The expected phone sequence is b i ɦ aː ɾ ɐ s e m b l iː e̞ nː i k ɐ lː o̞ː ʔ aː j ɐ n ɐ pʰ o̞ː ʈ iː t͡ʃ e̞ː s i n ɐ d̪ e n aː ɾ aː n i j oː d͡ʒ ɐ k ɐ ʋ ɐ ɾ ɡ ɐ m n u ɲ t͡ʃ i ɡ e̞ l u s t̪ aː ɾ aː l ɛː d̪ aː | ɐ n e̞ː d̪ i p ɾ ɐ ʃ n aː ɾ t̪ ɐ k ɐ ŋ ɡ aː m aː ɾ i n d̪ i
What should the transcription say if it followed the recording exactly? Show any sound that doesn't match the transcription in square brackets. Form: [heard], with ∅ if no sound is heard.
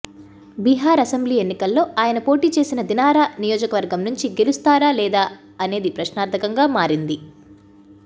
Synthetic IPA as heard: b i ɦ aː ɾ ɐ s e m b l iː e̞ nː i k ɐ lː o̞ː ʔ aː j ɐ n ɐ [p] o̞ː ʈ iː t͡ʃ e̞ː s i n ɐ d̪ [i] n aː ɾ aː n i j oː d͡ʒ ɐ k ɐ ʋ ɐ ɾ ɡ ɐ m n u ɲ t͡ʃ i ɡ e̞ l u s t̪ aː ɾ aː l ɛː d̪ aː | ɐ n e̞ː d̪ i p ɾ ɐ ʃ n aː ɾ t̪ ɐ k ɐ ŋ ɡ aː m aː ɾ i n d̪ i